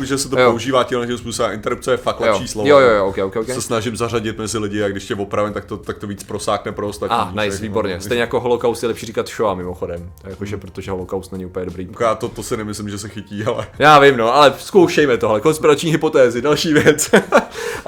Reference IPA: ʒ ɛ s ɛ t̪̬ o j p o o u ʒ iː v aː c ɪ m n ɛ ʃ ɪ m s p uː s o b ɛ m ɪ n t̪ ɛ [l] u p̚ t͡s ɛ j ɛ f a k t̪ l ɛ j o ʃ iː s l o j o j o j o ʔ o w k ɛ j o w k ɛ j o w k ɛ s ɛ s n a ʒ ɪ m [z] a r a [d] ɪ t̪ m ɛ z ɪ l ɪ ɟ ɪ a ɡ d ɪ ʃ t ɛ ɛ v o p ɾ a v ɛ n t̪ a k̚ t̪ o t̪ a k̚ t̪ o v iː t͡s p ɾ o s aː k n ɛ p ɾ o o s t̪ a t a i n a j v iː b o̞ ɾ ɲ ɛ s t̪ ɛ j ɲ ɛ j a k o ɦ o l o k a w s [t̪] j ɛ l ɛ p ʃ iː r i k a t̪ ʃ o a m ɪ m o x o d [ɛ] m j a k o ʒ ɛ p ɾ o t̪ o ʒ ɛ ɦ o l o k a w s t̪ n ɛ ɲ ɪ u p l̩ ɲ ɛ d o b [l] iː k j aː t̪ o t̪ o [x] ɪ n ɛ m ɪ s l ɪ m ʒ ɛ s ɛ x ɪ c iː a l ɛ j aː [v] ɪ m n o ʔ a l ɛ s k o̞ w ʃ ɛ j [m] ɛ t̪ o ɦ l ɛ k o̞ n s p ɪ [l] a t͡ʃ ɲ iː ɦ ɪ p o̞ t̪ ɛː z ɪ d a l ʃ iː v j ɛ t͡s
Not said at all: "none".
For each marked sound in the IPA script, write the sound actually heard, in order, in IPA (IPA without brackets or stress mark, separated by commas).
ɾ, z, ɟ, t̪, ɛ, ɾ, s, v, m, ɾ